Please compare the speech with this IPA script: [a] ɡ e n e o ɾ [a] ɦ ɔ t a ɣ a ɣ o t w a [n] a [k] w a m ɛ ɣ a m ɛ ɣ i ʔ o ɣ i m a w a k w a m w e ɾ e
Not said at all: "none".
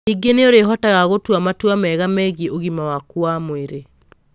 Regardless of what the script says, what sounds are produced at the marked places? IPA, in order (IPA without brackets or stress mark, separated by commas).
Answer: i, e, m, t